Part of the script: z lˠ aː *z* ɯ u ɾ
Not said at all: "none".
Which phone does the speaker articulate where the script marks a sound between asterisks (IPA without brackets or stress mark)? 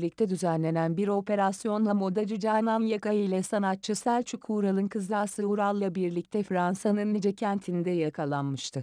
s